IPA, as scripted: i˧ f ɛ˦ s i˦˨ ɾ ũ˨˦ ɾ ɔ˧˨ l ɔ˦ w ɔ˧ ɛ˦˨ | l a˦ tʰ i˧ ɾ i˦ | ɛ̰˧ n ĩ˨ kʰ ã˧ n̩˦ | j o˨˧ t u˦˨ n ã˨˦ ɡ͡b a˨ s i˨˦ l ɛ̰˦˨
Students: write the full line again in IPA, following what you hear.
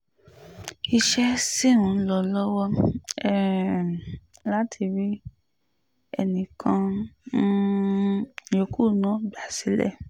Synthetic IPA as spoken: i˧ ʃ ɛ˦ s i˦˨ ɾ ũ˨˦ l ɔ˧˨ l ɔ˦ w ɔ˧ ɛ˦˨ | l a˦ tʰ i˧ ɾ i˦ | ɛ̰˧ n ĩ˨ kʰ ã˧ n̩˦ | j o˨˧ k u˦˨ n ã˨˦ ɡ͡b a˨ s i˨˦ l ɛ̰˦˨